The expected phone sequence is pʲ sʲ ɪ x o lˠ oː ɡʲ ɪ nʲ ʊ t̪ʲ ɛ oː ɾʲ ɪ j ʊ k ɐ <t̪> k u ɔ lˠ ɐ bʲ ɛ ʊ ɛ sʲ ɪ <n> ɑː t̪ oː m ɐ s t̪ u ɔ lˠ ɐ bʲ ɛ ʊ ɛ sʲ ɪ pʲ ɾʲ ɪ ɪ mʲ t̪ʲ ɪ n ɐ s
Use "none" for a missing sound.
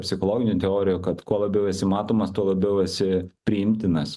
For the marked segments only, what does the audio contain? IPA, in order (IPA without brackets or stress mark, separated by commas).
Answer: t̪, m